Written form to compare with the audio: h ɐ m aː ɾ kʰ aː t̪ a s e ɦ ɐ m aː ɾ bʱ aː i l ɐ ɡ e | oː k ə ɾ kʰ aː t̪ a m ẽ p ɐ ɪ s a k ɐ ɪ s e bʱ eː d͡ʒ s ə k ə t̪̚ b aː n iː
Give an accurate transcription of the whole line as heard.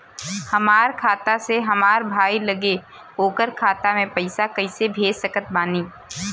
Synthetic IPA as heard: h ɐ m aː ɾ kʰ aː t̪ a s e ɦ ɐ m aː ɾ bʱ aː i l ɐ ɡ e | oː k ə ɾ kʰ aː t̪ a m ẽ p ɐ ɪ s a k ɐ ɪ s e bʱ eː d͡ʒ s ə k ə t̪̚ b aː n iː